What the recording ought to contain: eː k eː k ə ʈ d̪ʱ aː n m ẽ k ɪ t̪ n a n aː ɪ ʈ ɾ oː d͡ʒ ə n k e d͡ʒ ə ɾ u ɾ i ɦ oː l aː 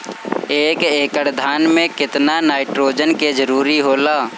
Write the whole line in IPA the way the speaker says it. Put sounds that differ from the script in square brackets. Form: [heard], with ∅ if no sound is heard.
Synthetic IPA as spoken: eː k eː k ə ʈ d̪ʱ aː n m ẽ k ɪ t̪ n a n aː ɪ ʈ ɾ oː d͡ʒ ə n k e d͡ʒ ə ɾ [uː] ɾ i ɦ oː l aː